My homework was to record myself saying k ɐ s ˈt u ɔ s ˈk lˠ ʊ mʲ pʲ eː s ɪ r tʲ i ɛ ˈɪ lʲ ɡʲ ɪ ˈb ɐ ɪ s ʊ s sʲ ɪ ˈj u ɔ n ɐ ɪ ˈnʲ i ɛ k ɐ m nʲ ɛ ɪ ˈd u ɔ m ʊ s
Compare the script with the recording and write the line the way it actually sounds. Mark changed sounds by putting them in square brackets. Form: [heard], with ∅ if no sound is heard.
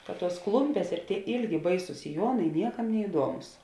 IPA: k ɐ [t] ˈt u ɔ s ˈk lˠ ʊ mʲ pʲ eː s ɪ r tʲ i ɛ ˈɪ lʲ ɡʲ ɪ ˈb ɐ ɪ s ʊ s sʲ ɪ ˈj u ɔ n ɐ ɪ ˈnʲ i ɛ k ɐ m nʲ ɛ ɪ ˈd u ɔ m ʊ s